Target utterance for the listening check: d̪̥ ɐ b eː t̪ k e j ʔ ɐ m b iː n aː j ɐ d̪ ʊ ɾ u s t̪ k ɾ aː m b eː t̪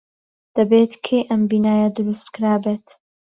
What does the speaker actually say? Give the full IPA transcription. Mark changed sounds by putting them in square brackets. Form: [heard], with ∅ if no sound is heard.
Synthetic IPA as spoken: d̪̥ ɐ b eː t̪ [kʰ] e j ʔ ɐ m b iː n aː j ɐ d̪ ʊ ɾ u s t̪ k ɾ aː [∅] b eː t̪